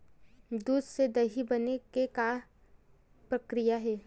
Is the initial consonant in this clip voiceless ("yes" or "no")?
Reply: no